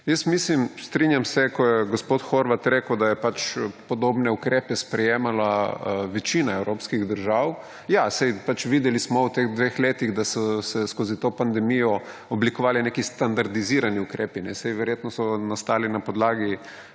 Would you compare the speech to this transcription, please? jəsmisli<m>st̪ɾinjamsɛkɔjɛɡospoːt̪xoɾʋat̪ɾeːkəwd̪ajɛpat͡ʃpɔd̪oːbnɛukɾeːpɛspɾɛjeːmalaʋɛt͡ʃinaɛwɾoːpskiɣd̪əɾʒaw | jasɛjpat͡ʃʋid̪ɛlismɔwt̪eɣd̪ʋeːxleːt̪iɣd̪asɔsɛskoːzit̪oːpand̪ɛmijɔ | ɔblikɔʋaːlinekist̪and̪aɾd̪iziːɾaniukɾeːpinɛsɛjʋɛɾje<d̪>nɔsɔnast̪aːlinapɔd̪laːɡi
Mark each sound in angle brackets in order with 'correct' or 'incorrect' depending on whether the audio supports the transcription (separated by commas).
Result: correct, incorrect